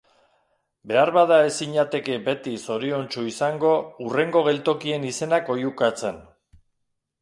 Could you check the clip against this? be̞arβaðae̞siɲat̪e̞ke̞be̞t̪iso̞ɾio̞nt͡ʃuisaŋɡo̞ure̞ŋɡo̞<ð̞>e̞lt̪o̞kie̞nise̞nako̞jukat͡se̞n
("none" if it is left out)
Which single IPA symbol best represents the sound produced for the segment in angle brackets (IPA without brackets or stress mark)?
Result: ɣ̞